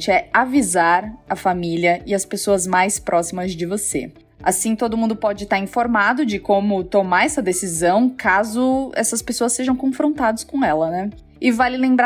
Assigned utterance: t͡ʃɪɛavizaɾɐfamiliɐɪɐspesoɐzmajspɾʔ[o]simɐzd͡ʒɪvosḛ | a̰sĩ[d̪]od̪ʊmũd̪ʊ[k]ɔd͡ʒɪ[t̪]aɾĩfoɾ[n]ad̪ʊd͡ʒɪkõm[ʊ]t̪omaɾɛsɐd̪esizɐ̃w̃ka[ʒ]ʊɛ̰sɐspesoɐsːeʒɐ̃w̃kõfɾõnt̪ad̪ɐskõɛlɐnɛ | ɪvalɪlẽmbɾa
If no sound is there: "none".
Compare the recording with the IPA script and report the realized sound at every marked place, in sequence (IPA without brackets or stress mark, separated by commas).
ɔ, t̪, p, t̪, m, ʊ, z